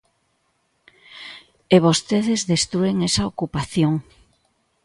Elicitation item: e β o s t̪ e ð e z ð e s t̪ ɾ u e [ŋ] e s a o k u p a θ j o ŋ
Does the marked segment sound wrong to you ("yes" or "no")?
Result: no